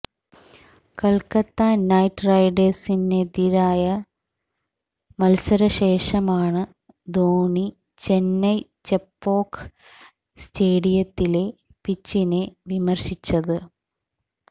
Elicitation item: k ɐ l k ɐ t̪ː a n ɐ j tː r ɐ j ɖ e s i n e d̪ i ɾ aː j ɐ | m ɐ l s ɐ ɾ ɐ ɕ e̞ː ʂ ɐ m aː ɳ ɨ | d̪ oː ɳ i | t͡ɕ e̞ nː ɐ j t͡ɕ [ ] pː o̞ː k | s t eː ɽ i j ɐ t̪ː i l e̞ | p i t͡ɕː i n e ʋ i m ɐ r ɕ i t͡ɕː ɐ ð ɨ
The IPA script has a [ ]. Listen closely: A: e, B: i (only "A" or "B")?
A